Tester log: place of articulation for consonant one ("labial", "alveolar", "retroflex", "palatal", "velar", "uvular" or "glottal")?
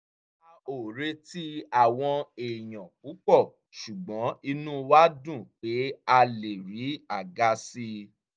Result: alveolar